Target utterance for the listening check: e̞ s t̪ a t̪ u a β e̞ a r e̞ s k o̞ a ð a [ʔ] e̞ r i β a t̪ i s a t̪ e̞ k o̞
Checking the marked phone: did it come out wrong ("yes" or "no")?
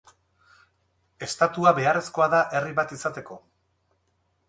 no